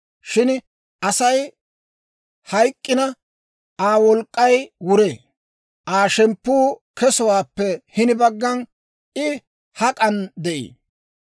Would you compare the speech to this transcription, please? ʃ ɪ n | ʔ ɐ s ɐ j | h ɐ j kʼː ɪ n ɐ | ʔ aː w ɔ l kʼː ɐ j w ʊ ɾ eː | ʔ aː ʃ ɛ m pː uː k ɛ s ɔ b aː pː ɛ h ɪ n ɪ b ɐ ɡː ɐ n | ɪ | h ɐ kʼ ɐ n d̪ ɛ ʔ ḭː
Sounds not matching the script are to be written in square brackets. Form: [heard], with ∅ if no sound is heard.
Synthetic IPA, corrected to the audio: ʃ ɪ n | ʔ ɐ s ɐ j | h ɐ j kʼː ɪ n ɐ | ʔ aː w ɔ l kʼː ɐ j w ʊ ɾ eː | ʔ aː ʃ ɛ m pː uː k ɛ s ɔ [w] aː pː ɛ h ɪ n ɪ b ɐ ɡː ɐ n | ɪ | h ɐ kʼ ɐ n d̪ ɛ ʔ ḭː